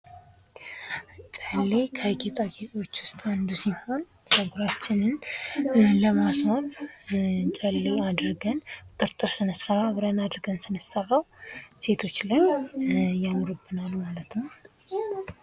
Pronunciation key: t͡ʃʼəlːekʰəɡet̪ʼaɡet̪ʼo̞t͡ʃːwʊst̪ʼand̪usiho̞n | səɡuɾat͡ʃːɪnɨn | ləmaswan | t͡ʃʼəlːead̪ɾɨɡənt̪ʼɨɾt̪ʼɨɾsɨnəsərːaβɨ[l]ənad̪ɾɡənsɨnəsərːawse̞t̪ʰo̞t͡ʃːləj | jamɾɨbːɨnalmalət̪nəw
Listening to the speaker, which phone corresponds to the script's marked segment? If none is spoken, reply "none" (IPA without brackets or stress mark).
ɾ